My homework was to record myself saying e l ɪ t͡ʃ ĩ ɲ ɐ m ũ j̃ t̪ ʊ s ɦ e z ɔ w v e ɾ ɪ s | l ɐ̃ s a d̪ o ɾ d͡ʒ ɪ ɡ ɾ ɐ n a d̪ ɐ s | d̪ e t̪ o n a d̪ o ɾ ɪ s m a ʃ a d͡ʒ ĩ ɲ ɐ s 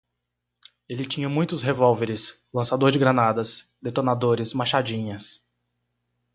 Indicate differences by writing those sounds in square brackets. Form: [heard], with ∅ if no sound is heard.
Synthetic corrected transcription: e l ɪ t͡ʃ ĩ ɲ ɐ m ũ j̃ t̪ ʊ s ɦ e [v] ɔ w v e ɾ ɪ s | l ɐ̃ s a d̪ o ɾ d͡ʒ ɪ ɡ ɾ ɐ n a d̪ ɐ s | d̪ e t̪ o n a d̪ o ɾ ɪ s m a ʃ a d͡ʒ ĩ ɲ ɐ s